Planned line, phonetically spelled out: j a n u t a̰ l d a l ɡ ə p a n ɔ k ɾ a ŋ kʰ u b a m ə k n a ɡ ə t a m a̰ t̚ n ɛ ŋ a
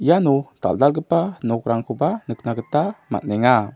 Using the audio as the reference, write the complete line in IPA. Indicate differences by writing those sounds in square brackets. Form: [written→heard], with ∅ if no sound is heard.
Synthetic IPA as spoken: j a n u t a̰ l d a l ɡ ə p a n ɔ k ɾ a ŋ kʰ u b a [m→n] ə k n a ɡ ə t a m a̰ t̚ n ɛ ŋ a